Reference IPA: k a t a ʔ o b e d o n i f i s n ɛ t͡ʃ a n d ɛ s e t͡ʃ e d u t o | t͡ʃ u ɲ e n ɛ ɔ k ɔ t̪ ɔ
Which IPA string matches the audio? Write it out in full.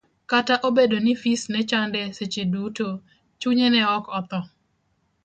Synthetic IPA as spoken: k a t a ʔ o b e d o n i f i s n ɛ t͡ʃ a n d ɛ s e t͡ʃ e d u t o | t͡ʃ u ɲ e n ɛ ɔ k ɔ t̪ ɔ

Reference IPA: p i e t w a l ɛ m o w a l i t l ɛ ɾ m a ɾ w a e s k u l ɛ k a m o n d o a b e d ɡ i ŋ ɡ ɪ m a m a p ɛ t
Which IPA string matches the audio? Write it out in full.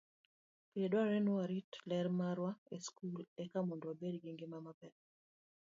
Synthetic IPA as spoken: p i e d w a ɾ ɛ n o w a ɾ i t l ɛ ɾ m a ɾ w a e s k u l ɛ k a m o n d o a b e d ɡ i ŋ ɡ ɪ m a m a p ɛ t

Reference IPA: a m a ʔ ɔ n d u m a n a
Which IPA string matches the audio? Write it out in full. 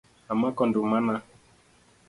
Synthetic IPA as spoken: a m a k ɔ n d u m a n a

